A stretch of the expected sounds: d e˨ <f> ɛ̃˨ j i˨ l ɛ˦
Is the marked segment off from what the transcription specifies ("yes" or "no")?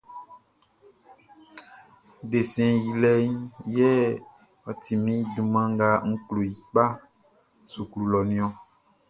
yes